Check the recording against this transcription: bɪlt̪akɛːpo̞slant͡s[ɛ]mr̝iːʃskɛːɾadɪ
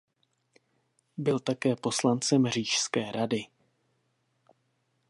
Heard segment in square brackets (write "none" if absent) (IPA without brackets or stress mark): ɛ